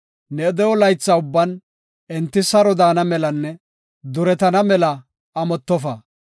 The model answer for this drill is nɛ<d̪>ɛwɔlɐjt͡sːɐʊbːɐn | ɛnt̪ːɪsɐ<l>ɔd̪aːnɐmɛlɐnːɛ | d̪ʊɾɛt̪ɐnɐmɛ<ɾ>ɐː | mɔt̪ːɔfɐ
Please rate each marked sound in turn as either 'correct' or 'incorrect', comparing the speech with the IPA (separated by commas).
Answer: correct, incorrect, incorrect